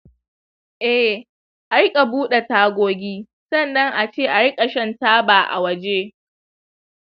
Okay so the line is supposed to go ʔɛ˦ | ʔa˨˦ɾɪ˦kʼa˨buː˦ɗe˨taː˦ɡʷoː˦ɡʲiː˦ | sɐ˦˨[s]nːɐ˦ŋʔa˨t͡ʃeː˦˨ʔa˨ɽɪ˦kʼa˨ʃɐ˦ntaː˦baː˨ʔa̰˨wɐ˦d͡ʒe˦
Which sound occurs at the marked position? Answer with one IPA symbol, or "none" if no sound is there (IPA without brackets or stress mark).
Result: none